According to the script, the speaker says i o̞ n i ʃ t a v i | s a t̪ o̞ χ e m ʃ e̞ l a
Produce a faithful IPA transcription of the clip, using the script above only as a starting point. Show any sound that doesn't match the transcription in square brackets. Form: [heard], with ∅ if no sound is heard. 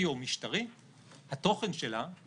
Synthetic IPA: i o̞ [m] i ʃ t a [ʁ] i | [h] a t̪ o̞ χ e [n] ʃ e̞ l a